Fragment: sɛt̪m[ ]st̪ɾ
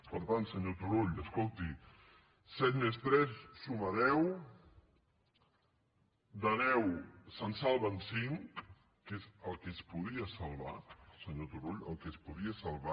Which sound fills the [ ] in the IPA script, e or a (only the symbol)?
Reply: e